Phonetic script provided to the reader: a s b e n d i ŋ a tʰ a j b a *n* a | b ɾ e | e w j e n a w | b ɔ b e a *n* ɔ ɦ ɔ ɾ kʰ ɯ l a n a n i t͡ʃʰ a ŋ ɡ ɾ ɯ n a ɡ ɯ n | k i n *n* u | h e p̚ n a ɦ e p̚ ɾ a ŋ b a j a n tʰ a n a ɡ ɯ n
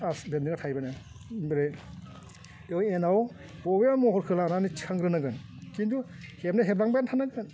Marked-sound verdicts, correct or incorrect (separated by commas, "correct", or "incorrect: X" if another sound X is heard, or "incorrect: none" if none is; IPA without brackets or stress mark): correct, incorrect: m, incorrect: d